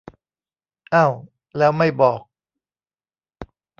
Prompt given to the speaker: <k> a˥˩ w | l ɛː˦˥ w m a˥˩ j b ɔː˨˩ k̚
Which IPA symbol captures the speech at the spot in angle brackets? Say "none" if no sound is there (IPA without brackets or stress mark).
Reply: ʔ